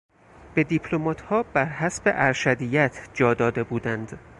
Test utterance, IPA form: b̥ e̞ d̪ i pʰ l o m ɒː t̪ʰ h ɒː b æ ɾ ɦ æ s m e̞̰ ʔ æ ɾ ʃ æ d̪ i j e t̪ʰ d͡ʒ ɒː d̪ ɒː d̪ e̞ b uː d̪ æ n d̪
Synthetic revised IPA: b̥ e̞ d̪ i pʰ l o m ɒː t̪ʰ h ɒː b æ ɾ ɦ æ s b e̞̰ ʔ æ ɾ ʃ æ d̪ i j æ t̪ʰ d͡ʒ ɒː d̪ ɒː d̪ e̞ b uː d̪ æ n d̪